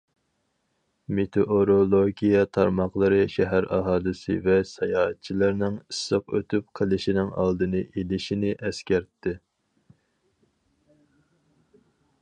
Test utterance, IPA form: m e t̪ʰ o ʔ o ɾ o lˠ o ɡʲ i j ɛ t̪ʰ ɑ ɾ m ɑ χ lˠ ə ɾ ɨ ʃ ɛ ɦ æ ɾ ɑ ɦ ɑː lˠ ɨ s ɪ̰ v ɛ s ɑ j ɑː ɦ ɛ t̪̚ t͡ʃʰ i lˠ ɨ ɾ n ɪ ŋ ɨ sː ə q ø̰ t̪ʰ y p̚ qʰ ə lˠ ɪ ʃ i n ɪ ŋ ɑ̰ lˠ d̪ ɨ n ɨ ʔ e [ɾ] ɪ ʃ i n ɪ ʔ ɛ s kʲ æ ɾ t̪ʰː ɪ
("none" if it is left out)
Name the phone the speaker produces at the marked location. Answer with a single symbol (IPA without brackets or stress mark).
l